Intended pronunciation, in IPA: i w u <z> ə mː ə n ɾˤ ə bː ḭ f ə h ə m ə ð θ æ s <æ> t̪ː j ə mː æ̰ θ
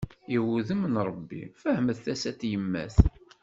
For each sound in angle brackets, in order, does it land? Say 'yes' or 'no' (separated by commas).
no, yes